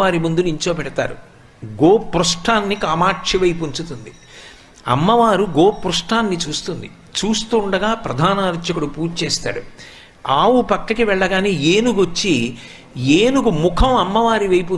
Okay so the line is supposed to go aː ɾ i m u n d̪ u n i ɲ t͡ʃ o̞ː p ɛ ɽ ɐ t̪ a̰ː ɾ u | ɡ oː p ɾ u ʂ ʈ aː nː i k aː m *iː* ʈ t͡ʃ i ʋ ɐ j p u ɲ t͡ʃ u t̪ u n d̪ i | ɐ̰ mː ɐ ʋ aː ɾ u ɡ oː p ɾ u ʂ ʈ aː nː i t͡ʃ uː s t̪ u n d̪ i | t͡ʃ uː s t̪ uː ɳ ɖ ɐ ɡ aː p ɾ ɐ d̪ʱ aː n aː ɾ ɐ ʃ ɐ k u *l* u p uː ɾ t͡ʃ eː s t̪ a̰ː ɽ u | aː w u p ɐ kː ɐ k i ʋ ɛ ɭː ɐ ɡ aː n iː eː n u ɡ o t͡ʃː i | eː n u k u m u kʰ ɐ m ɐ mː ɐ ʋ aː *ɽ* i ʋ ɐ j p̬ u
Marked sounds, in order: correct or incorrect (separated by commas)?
incorrect, incorrect, incorrect